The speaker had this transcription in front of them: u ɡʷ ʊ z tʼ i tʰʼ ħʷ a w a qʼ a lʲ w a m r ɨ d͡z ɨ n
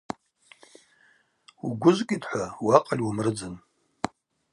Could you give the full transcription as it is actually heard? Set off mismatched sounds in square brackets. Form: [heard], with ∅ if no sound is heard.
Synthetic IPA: u ɡʷ ʊ z [kʼ] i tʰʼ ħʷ a w a qʼ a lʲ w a m r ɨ d͡z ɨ n